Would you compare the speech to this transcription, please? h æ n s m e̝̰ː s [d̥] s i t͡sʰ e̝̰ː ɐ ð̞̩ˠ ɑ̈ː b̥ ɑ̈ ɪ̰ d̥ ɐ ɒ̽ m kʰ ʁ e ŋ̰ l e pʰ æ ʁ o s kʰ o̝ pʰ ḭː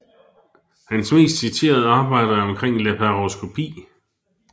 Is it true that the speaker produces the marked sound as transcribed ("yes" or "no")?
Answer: yes